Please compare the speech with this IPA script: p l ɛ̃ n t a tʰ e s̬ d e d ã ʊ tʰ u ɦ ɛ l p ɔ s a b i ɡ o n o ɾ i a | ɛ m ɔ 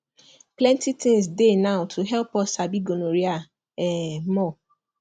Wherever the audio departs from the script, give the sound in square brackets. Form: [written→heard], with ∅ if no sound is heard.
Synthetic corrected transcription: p l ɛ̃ n t [a→i] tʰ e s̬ d e [d→n] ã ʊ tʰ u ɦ ɛ l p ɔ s a b i ɡ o n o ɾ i a | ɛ m ɔ